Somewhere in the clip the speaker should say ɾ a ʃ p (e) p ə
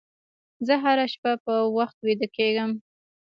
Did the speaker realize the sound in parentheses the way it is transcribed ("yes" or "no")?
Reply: no